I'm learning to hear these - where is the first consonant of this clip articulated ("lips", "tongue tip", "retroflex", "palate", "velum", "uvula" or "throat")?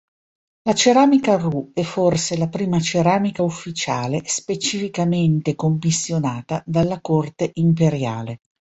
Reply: tongue tip